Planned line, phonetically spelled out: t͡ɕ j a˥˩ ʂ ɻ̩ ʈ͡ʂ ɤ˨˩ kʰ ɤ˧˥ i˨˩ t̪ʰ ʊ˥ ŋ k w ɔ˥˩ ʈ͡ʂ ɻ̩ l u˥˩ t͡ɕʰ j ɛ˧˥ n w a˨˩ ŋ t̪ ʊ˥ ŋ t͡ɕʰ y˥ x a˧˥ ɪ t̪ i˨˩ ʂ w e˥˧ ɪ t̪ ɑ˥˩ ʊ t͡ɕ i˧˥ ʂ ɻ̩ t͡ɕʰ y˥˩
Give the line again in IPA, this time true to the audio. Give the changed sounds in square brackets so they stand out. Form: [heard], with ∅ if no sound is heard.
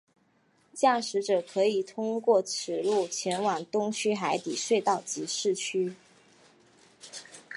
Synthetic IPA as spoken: t͡ɕ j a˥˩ ʂ ɻ̩ ʈ͡ʂ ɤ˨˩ kʰ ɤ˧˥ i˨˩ t̪ʰ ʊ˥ ŋ k w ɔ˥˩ [ʈ͡ʂʰ] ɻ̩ l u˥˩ t͡ɕʰ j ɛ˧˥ n w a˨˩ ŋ t̪ ʊ˥ ŋ t͡ɕʰ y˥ x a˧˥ ɪ t̪ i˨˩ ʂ w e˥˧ ɪ t̪ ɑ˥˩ ʊ t͡ɕ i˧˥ ʂ ɻ̩ t͡ɕʰ [y˥]